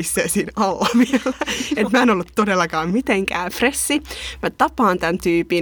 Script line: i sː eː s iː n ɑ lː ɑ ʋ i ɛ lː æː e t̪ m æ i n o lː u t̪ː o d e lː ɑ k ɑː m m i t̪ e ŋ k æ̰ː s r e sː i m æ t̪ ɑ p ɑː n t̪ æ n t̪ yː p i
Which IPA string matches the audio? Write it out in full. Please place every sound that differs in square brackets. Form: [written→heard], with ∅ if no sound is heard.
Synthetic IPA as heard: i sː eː s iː n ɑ lː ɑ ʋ i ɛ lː [æː→æ] e t̪ m æ [i→e] n o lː u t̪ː o d e lː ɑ k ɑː m m i t̪ e ŋ k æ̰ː [s→f] r e sː i m æ t̪ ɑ p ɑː n t̪ æ n t̪ yː p i